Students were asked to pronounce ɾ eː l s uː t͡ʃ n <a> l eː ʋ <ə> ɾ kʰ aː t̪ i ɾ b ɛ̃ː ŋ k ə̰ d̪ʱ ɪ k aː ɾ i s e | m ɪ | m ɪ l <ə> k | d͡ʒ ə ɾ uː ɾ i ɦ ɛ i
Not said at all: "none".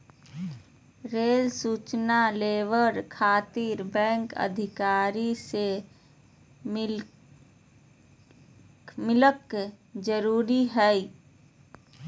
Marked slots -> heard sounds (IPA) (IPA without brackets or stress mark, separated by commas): a, ə, ə